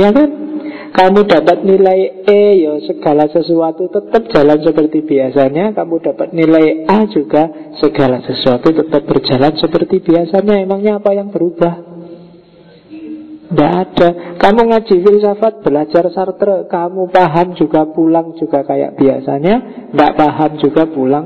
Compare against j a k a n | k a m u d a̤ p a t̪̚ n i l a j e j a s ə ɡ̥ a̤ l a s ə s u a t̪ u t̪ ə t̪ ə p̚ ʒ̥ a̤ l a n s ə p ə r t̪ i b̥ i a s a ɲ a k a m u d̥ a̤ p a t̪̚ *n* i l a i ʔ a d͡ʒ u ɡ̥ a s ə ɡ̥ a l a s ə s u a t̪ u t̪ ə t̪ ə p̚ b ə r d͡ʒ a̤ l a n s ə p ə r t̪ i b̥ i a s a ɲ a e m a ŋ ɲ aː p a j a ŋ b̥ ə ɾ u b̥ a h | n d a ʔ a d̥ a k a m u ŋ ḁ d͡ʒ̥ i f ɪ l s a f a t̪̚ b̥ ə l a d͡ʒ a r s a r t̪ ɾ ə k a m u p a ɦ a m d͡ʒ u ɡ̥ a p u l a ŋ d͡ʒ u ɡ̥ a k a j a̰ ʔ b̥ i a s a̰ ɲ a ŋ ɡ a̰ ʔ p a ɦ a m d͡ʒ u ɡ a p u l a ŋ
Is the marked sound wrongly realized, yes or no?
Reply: no